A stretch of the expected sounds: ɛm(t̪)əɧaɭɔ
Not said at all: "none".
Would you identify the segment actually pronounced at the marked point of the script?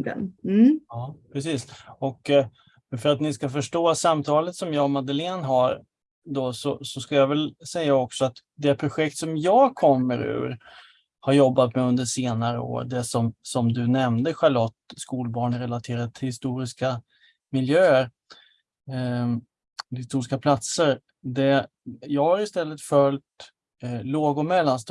d̪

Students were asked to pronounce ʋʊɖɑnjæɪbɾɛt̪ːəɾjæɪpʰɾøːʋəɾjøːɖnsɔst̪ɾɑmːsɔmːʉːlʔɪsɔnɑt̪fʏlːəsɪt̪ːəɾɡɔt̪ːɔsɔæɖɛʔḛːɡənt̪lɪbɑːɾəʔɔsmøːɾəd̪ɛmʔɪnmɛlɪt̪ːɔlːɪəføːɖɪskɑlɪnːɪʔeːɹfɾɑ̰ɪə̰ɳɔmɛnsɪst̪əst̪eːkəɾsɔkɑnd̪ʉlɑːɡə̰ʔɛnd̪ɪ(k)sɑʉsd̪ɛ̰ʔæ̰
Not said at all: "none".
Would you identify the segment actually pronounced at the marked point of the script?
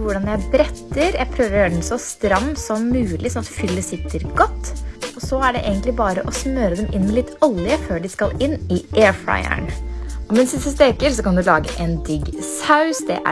ɡ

